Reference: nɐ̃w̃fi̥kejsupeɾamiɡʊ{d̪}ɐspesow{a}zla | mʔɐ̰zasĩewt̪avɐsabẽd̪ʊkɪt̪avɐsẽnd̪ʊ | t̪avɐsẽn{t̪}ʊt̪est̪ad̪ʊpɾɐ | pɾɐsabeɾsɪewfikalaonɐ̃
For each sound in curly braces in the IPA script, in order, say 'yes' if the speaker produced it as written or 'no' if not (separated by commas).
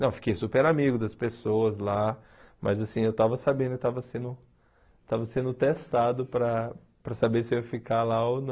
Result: yes, no, no